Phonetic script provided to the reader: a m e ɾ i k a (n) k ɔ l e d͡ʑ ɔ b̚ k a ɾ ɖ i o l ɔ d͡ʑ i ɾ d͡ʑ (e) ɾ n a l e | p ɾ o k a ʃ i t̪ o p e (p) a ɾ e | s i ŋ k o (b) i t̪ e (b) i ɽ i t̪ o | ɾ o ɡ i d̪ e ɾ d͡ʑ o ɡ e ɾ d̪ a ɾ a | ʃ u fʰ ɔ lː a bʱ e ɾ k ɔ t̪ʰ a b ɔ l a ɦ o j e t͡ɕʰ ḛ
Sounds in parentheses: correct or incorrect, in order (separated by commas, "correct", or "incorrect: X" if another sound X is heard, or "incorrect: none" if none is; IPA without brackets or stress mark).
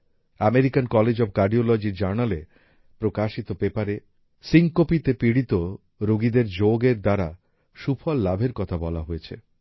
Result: correct, incorrect: a, correct, incorrect: p, incorrect: p